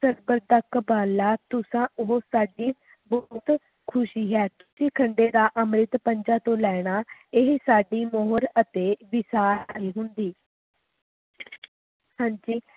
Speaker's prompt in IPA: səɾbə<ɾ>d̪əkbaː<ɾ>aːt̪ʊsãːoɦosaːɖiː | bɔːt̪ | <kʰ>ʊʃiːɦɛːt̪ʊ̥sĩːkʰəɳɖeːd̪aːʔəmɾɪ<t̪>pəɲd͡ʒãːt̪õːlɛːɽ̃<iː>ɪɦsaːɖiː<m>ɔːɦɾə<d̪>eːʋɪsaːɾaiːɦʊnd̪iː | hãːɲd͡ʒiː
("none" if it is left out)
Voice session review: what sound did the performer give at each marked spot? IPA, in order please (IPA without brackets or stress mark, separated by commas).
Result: ɾ, l, kʰ, t̪, aː, m, t̪